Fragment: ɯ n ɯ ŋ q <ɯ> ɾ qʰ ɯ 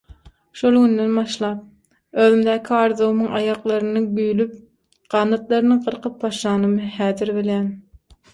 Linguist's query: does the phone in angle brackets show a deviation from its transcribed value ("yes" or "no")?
no